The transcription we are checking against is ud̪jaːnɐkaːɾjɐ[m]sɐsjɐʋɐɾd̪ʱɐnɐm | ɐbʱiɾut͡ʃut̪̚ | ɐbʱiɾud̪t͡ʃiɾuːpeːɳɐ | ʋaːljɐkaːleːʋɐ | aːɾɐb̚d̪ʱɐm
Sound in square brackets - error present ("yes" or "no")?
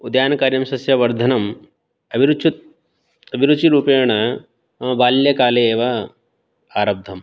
no